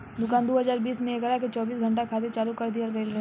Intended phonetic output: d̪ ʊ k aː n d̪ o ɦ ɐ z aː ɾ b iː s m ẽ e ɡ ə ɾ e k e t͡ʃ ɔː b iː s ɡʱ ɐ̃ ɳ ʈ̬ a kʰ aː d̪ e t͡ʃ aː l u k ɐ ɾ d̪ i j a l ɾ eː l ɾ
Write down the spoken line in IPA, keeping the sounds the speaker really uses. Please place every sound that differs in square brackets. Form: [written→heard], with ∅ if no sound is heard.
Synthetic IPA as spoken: d̪ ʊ k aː n d̪ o ɦ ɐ z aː ɾ b iː s m ẽ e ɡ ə ɾ [e→a] k e t͡ʃ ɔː b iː s ɡʱ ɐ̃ ɳ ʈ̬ a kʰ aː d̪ e t͡ʃ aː l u k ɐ ɾ d̪ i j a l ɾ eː l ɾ